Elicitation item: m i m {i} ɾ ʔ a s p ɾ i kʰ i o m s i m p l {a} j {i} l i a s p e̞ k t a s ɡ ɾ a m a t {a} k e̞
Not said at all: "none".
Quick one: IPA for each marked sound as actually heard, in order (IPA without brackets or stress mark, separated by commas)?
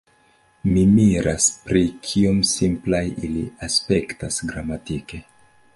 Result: i, a, i, i